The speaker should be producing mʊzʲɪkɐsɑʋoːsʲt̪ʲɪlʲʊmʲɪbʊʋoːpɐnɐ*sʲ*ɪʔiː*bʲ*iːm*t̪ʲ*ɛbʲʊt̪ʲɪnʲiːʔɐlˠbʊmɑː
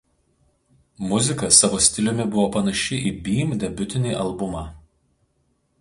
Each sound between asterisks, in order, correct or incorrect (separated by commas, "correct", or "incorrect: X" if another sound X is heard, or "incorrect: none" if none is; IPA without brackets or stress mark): incorrect: ʃʲ, correct, incorrect: d̪ʲ